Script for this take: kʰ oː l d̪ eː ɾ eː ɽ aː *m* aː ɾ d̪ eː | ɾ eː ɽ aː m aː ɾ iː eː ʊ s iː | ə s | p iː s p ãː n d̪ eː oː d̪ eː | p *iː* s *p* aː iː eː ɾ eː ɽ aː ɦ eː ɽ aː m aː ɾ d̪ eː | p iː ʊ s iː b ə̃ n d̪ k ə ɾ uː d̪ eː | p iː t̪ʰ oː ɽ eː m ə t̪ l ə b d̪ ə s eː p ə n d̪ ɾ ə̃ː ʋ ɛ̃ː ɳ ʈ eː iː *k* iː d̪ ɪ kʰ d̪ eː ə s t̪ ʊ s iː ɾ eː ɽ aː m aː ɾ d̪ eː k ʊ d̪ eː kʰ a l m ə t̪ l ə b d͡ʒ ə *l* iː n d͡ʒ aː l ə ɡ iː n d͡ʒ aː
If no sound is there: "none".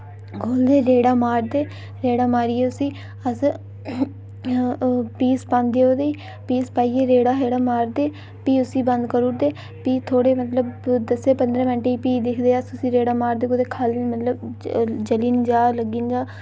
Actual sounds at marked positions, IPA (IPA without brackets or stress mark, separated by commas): m, iː, p, p, l